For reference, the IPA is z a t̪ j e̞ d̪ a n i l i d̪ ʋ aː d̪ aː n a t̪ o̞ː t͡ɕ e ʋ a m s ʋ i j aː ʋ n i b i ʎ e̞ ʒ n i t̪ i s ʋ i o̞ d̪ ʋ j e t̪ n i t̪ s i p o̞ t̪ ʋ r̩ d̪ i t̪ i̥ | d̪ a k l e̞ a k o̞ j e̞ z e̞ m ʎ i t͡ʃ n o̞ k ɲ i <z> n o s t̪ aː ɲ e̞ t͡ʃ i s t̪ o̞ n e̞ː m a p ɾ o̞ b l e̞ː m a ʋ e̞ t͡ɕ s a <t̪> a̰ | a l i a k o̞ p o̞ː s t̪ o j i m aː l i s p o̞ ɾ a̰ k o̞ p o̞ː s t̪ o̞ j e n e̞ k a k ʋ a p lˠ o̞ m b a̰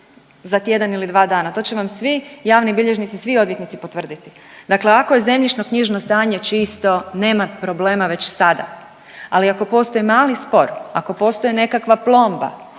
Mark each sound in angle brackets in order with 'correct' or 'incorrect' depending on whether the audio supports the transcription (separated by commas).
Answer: incorrect, incorrect